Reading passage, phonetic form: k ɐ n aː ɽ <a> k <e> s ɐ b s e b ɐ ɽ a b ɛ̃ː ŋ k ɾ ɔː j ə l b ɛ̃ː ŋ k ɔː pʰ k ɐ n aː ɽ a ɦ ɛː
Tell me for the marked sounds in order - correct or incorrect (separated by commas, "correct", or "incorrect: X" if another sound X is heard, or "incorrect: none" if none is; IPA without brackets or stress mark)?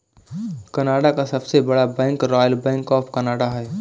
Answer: correct, incorrect: a